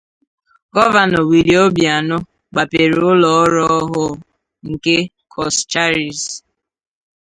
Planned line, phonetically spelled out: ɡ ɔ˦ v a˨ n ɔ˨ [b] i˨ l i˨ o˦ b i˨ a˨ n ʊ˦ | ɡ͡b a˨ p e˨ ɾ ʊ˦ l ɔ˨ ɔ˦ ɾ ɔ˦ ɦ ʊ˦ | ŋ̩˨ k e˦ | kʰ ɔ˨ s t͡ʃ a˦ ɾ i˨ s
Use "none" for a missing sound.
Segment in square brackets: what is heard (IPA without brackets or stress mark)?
w